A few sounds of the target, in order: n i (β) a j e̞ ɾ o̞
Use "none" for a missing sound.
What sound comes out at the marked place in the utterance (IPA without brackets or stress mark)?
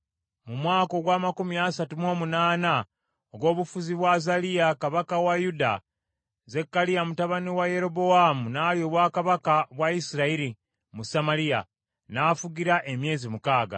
w